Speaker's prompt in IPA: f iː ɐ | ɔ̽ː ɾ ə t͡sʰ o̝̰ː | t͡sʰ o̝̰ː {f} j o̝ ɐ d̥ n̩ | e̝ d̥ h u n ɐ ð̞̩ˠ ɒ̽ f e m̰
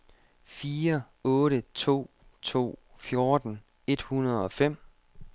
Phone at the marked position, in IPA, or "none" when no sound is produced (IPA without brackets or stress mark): f